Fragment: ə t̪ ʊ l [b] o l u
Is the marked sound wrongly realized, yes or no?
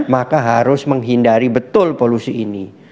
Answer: yes